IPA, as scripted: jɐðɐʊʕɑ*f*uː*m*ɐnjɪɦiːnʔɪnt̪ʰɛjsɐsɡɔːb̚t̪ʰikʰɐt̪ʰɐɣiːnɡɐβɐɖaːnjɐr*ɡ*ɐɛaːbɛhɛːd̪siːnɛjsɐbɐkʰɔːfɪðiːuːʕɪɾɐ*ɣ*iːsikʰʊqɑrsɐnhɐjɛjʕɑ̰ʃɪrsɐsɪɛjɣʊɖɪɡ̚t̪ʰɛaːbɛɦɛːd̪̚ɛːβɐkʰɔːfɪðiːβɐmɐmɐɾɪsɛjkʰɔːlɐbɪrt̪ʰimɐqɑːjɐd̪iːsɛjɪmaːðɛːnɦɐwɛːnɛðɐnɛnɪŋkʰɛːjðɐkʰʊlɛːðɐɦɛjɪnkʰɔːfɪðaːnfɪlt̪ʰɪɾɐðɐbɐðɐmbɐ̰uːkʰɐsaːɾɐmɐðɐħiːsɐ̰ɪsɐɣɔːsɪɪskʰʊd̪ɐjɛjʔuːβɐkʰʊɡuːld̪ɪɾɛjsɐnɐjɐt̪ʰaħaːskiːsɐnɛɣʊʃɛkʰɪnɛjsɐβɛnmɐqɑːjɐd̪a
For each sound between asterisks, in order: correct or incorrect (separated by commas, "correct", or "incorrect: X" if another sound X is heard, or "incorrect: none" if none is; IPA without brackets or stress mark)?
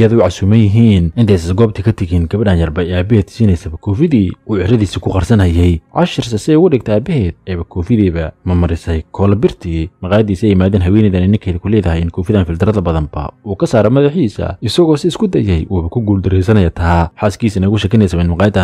incorrect: s, correct, incorrect: b, incorrect: ð